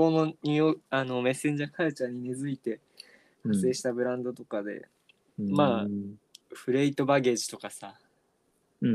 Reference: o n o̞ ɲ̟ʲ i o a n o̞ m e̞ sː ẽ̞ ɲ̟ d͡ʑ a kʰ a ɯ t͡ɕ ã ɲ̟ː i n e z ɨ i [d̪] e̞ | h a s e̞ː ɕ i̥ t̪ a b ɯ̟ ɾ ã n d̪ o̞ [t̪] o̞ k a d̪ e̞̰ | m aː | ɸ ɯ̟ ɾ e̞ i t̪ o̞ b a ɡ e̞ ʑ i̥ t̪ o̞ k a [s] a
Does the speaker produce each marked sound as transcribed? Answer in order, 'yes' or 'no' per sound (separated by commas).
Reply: no, yes, yes